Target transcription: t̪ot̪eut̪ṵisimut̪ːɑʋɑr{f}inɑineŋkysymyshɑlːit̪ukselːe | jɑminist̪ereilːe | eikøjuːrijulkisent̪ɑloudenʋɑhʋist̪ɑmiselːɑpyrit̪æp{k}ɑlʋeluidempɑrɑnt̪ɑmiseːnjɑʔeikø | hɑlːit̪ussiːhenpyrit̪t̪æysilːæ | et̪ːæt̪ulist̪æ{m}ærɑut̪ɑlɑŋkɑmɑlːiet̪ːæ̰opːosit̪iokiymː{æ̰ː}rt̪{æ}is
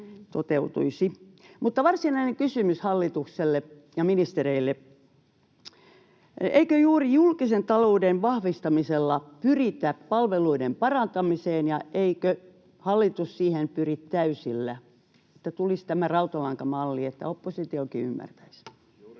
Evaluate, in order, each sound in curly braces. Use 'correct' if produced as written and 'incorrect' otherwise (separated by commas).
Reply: incorrect, incorrect, correct, incorrect, correct